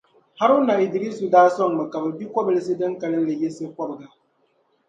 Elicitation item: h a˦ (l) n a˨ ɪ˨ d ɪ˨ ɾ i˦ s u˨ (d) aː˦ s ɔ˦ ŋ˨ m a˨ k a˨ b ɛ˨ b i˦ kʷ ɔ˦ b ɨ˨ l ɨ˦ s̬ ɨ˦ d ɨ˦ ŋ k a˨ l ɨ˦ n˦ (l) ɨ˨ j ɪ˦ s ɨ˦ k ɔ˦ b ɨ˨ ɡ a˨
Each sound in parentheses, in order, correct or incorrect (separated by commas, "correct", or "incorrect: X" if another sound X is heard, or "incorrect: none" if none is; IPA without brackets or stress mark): incorrect: ɾ, correct, correct